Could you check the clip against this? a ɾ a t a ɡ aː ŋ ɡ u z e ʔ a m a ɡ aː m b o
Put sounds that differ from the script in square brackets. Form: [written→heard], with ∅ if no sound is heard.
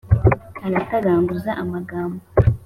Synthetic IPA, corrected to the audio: a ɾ a t a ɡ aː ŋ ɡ u z [e→a] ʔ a m a ɡ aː m b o